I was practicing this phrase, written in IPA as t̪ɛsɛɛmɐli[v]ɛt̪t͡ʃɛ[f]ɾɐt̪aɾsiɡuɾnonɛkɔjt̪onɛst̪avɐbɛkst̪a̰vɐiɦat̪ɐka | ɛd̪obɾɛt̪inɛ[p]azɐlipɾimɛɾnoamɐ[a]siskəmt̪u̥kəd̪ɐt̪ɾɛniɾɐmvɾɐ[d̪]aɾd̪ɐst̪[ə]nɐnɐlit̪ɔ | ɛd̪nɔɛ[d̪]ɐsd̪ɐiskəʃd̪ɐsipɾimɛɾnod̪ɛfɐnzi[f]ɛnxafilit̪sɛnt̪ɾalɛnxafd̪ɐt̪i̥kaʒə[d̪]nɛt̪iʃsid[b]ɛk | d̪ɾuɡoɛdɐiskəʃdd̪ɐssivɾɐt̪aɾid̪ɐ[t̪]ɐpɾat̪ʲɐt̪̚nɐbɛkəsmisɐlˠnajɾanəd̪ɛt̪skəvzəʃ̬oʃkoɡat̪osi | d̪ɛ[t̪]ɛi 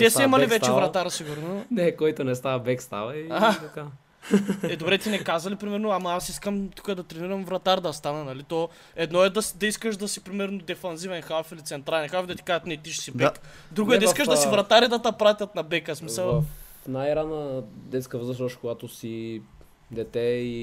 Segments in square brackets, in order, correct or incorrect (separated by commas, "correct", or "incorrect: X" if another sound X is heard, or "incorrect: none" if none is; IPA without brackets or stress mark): correct, incorrect: v, incorrect: k, correct, incorrect: t̪, incorrect: a, correct, incorrect: v, incorrect: t̪, correct, correct, correct